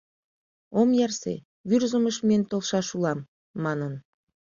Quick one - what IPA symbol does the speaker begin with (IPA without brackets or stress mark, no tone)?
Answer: o